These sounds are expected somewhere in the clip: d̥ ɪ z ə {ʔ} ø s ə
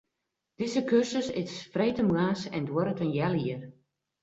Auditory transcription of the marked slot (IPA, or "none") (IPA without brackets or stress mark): k